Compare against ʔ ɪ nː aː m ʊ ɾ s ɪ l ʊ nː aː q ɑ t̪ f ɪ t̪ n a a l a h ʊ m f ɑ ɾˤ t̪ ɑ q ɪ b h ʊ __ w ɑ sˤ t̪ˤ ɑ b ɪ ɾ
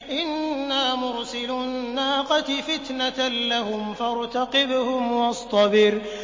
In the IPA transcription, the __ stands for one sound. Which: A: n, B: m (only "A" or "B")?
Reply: B